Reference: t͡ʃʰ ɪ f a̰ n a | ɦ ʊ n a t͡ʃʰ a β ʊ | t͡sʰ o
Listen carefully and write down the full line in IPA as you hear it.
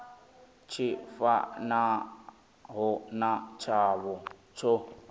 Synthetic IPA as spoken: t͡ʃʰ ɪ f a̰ n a | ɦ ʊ n a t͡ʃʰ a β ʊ | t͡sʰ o

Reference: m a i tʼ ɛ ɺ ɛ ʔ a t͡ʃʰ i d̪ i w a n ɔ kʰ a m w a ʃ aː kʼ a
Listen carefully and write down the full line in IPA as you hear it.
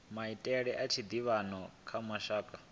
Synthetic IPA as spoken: m a i tʼ ɛ ɺ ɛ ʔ a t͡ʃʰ i d̪ i β a n ɔ kʰ a m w a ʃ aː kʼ a

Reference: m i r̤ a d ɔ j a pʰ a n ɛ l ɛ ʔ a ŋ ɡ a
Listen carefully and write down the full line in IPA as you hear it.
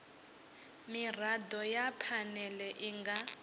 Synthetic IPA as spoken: m i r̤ a d ɔ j a pʰ a n ɛ l ɛ ʔ i ŋ ɡ a

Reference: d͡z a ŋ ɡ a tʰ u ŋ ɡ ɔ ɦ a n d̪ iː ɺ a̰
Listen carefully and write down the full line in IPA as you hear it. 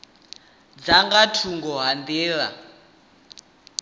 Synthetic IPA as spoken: d͡z a ŋ ɡ a tʰ u ŋ ɡ ɔ ɦ a n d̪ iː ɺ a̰

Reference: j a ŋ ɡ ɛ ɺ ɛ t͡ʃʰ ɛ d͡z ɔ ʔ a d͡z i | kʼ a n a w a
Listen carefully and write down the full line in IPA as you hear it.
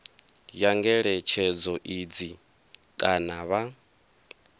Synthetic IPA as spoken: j a ŋ ɡ ɛ ɺ ɛ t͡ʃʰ ɛ d͡z ɔ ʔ i d͡z i | kʼ a n a β a

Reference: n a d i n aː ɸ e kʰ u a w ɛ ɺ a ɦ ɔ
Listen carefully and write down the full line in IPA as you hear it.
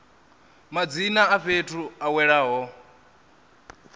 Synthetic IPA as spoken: m a d͡z i n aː ɸ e tʰ u a w ɛ ɺ a ɦ ɔ

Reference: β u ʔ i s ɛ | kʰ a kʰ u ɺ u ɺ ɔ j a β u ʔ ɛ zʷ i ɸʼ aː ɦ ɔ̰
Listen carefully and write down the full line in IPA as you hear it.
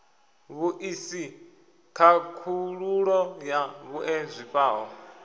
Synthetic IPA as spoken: β u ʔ i s i | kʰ a kʰ u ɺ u ɺ ɔ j a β u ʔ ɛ zʷ i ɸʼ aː ɦ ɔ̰

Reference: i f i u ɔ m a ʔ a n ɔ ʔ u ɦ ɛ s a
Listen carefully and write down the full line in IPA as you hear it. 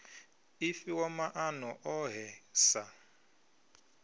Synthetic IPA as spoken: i f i w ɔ m a ʔ a n ɔ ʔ ɔ ɦ ɛ s a

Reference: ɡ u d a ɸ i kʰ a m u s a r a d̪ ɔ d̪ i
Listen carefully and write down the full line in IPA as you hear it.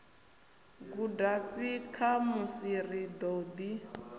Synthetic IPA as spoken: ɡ u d a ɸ i kʰ a m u s i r i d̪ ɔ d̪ i

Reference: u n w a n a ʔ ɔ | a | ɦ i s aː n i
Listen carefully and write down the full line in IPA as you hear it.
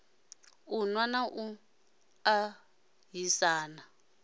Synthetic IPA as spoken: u n w a n a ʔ u | a | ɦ i s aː n a

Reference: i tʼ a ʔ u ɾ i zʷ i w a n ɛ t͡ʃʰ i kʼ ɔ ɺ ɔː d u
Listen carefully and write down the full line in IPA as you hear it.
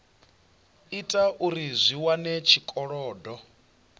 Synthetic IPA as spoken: i tʼ a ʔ u ɾ i zʷ i w a n ɛ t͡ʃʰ i kʼ ɔ ɺ ɔː d ɔ

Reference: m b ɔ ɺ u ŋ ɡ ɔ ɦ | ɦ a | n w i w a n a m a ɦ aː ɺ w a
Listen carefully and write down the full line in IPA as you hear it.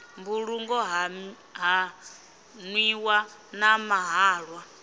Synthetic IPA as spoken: m b u ɺ u ŋ ɡ ɔ ɦ | ɦ a | n w i w a n a m a ɦ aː ɺ w a

